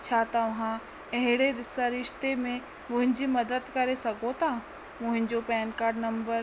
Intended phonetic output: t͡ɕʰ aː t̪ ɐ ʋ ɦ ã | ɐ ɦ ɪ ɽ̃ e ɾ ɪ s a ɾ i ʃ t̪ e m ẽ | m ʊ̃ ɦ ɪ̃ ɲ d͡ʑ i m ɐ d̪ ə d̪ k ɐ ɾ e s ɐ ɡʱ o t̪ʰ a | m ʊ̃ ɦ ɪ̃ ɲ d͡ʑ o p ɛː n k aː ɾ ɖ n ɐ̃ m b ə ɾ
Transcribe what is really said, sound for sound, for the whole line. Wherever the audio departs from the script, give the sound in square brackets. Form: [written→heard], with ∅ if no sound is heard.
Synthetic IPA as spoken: t͡ɕʰ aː t̪ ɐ ʋ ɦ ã | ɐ ɦ ɪ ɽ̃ e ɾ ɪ s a ɾ [i→ɪ] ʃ t̪ e m ẽ | m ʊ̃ ɦ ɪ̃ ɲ d͡ʑ i m ɐ d̪ ə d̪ k ɐ ɾ e s ɐ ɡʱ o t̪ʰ a | m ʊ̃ ɦ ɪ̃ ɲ d͡ʑ o p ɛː n k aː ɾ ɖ n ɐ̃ m b ə ɾ

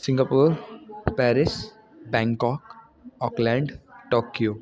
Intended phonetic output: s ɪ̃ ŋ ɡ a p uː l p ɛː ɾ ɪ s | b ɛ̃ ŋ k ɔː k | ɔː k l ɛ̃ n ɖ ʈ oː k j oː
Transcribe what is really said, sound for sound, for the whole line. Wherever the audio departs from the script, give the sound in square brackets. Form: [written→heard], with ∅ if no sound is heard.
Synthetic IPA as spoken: s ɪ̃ ŋ ɡ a p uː [l→ɾ] p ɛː ɾ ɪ s | b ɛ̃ ŋ k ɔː k | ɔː k l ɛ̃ [n→ɳ] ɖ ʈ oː k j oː

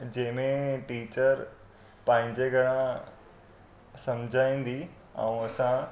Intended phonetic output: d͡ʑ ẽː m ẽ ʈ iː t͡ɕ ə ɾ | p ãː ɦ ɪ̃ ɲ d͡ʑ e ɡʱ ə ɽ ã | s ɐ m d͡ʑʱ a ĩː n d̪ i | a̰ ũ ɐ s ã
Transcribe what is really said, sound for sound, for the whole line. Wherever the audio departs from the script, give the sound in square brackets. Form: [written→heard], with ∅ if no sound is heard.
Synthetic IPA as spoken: d͡ʑ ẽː m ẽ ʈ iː t͡ɕ ə ɾ | p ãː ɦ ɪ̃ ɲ d͡ʑ e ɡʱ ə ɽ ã | s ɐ m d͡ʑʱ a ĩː n d̪ i | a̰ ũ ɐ s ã

